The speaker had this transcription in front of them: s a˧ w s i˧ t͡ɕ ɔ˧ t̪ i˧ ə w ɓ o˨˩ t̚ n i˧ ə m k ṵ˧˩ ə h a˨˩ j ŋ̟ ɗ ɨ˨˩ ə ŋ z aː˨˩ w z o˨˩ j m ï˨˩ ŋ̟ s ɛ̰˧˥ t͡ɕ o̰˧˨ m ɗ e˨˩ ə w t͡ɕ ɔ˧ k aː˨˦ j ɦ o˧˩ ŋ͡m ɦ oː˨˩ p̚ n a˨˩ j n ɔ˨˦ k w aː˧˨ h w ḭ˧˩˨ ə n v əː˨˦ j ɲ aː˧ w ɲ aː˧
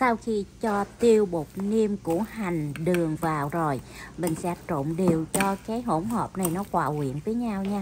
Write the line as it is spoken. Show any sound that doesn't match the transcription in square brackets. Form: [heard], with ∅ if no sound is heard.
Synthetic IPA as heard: s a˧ w [x] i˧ t͡ɕ ɔ˧ t̪ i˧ ə w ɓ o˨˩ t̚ n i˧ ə m k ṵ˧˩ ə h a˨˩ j ŋ̟ ɗ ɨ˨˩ ə ŋ [v] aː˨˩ w z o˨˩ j m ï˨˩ ŋ̟ s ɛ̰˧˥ t͡ɕ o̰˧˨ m ɗ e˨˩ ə w t͡ɕ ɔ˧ k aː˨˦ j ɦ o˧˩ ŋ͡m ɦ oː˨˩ p̚ n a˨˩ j n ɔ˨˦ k w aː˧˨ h w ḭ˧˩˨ ə n v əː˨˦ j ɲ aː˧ w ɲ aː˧

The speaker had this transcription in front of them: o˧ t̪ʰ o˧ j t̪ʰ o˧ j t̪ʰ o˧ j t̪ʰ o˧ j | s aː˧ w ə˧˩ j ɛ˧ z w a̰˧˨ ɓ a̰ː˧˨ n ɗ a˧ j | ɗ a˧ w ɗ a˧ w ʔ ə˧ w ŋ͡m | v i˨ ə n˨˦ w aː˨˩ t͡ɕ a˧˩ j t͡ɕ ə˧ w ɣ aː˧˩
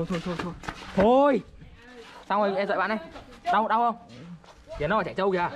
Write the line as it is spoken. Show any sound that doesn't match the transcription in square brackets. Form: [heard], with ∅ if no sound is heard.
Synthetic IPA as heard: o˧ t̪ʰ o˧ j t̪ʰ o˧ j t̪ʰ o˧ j t̪ʰ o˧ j | s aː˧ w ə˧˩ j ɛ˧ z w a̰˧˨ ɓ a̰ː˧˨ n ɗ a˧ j | ɗ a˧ w ɗ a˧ w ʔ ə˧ w ŋ͡m | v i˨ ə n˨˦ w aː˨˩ t͡ɕ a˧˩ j t͡ɕ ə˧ w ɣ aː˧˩

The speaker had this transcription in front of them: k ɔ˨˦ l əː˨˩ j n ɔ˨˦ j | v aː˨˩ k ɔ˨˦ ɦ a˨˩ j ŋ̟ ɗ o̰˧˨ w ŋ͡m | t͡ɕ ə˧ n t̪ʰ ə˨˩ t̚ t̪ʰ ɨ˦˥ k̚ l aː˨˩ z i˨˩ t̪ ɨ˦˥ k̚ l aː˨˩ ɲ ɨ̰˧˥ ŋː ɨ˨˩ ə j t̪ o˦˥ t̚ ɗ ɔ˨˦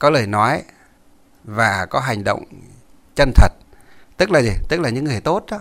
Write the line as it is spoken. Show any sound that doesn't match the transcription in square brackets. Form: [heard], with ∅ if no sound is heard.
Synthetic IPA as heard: k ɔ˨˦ l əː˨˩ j n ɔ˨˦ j | v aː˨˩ k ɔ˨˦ ɦ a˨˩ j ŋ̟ ɗ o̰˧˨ w ŋ͡m | t͡ɕ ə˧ n t̪ʰ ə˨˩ t̚ [t̪] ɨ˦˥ k̚ l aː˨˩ z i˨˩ t̪ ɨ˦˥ k̚ l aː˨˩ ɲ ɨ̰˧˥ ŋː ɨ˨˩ ə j t̪ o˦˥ t̚ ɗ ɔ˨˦

